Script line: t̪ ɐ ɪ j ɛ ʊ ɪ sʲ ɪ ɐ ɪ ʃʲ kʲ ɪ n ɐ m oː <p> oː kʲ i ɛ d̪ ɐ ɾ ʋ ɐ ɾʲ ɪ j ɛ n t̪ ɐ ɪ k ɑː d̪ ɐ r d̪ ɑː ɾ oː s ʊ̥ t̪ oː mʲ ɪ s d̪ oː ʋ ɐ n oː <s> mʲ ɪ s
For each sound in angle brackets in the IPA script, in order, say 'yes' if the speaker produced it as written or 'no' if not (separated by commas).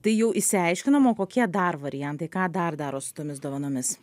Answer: no, no